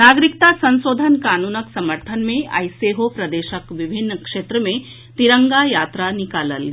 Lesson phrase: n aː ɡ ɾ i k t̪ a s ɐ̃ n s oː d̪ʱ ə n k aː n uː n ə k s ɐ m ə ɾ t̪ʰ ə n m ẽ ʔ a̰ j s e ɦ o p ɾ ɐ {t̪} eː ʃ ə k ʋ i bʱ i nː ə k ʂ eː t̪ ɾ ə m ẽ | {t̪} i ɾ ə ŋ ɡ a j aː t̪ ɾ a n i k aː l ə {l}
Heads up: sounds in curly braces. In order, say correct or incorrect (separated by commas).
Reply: incorrect, correct, correct